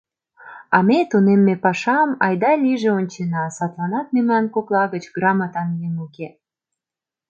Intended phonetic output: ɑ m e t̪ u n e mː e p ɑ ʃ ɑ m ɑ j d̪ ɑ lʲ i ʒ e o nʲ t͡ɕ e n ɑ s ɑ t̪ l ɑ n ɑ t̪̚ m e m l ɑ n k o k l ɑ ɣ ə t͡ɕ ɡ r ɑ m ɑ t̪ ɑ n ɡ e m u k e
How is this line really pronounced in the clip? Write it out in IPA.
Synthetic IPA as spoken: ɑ m e t̪ u n e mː e p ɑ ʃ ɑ m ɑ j d̪ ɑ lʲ i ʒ e o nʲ t͡ɕ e n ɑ s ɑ t̪ l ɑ n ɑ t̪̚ m e m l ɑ n k o k l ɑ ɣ ə t͡ɕ ɡ r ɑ m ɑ t̪ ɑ n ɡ e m u k e